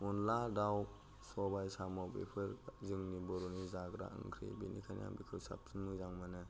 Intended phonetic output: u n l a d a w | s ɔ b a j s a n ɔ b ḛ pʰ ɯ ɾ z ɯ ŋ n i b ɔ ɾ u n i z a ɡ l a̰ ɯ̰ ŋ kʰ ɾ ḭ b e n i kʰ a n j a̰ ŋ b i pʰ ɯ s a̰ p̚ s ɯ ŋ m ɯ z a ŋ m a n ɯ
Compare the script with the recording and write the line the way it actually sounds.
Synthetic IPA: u n l a d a w | s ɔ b a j s a m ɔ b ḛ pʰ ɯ ɾ z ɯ ŋ n i b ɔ ɾ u n i z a ɡ ɾ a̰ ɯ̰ ŋ kʰ ɾ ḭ b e n i kʰ a n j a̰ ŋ b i kʰ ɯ s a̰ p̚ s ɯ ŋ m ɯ z a ŋ m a n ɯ